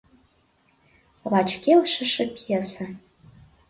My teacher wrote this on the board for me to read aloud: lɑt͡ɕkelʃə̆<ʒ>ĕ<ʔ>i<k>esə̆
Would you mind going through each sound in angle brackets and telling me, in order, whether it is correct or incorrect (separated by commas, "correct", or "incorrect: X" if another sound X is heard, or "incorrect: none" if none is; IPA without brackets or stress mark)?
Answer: incorrect: ʃ, incorrect: p, incorrect: none